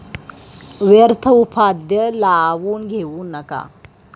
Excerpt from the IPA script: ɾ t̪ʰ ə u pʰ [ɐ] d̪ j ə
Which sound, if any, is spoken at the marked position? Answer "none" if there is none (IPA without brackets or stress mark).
a